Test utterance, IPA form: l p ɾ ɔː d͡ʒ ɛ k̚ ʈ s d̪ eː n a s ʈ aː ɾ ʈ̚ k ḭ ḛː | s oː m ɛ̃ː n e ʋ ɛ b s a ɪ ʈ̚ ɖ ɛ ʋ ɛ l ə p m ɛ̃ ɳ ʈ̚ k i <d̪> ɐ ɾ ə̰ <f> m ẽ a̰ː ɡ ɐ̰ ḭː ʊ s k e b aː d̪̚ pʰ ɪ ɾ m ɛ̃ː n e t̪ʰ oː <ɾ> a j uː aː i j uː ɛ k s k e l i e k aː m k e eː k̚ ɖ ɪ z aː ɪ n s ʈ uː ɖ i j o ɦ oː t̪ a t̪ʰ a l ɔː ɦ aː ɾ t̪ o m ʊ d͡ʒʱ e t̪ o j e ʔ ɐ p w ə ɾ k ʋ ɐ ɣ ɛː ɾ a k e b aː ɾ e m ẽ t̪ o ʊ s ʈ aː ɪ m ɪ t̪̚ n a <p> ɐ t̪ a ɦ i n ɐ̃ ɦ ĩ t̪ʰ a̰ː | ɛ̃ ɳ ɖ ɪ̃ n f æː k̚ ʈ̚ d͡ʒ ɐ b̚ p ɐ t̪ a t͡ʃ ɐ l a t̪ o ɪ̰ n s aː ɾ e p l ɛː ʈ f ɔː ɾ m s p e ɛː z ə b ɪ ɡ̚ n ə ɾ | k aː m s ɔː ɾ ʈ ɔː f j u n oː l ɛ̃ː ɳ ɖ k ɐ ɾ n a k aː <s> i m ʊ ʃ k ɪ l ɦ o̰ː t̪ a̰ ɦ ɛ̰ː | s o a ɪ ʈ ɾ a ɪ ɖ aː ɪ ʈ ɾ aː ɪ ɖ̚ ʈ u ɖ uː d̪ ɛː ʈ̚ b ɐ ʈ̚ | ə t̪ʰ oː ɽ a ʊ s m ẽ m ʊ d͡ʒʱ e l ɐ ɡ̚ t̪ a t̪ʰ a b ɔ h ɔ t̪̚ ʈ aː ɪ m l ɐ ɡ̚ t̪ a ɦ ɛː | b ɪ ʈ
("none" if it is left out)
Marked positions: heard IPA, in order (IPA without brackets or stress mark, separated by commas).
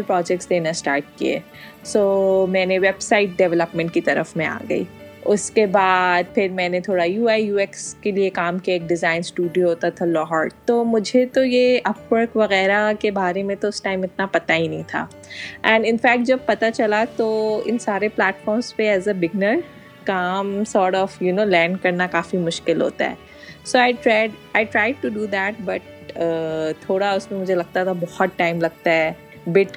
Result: t̪, f, ɽ, p, f